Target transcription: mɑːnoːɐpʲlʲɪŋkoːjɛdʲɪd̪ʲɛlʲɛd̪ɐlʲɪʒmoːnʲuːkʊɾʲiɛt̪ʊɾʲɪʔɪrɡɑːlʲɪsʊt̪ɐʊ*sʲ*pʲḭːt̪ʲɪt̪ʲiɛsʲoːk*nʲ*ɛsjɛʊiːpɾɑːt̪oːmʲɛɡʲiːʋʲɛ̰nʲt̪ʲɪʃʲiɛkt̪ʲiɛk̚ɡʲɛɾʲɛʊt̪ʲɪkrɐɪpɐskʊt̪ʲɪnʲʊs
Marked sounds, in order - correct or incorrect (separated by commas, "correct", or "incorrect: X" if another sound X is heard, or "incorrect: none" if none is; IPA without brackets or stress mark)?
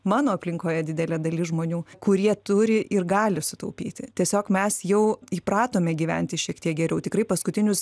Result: incorrect: none, incorrect: mʲ